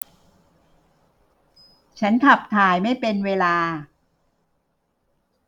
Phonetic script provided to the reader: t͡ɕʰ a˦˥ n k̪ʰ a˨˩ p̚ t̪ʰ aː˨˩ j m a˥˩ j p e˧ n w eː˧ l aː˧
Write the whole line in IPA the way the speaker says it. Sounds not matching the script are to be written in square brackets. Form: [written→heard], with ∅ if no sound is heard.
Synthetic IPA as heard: t͡ɕʰ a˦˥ n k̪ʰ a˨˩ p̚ t̪ʰ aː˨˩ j m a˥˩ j p e˧ n w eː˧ l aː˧